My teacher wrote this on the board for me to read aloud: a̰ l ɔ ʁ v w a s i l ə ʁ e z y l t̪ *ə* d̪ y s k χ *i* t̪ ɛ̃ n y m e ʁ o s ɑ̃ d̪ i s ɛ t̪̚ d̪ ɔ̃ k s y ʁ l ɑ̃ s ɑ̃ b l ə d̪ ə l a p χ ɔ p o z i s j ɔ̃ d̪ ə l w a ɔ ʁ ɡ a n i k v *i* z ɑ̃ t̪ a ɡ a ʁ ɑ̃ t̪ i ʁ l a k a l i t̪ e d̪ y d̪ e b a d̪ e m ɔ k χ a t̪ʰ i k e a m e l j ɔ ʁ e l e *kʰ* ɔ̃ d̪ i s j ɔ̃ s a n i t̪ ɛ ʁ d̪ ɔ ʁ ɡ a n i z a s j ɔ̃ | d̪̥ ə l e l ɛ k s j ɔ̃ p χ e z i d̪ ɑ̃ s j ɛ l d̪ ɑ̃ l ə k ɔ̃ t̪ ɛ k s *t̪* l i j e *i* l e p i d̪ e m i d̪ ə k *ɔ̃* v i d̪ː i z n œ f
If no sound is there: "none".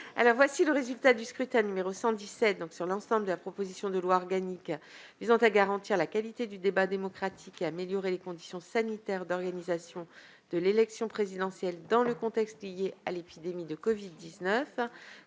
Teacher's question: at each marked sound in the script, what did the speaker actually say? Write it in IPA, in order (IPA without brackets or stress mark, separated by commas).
a, y, i, k, t̪, a, ɔ